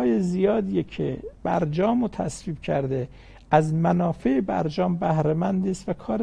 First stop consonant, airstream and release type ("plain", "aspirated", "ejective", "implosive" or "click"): plain